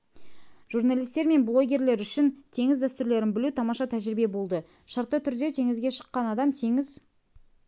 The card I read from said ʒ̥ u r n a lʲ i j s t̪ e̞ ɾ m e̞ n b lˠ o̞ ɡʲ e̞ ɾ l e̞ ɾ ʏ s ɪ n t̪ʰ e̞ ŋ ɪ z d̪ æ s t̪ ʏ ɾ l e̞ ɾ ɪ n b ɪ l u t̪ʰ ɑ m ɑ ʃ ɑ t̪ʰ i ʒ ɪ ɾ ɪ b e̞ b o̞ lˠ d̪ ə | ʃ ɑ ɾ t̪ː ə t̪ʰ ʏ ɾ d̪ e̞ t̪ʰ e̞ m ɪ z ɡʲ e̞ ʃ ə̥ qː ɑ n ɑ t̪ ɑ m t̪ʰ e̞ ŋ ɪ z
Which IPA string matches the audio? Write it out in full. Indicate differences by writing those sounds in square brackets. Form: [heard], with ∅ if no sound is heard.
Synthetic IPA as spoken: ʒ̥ u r n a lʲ i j s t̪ e̞ ɾ m e̞ n b lˠ o̞ ɡʲ e̞ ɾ l e̞ ɾ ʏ [ʃ] ɪ n t̪ʰ e̞ ŋ ɪ z d̪ æ s t̪ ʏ ɾ l e̞ ɾ ɪ n b ɪ l u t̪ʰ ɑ m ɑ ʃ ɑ t̪ʰ [æ] ʒ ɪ ɾ ɪ b e̞ b o̞ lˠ d̪ ə | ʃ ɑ ɾ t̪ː ə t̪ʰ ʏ ɾ d̪ e̞ t̪ʰ e̞ [ŋ] ɪ z ɡʲ e̞ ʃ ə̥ qː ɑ n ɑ [d̪] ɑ m t̪ʰ e̞ ŋ ɪ z